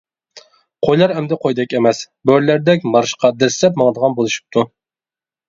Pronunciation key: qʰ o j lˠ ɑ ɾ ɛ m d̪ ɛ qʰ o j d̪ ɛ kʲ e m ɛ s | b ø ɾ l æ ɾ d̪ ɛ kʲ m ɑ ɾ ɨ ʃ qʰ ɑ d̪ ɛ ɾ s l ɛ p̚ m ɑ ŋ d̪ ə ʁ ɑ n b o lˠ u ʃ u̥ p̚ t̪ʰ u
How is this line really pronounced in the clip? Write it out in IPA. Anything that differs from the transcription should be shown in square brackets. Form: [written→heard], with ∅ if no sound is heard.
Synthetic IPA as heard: qʰ o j lˠ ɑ ɾ ɛ m d̪ ɛ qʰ o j d̪ ɛ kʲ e m ɛ s | b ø ɾ l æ ɾ d̪ ɛ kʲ m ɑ ɾ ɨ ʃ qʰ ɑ d̪ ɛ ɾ s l ɛ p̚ m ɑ ŋ d̪ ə ʁ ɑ n b o lˠ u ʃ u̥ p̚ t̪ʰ u